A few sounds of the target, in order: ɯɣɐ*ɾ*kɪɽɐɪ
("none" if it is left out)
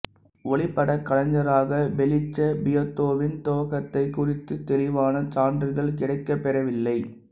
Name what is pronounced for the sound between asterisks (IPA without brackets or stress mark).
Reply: ɭ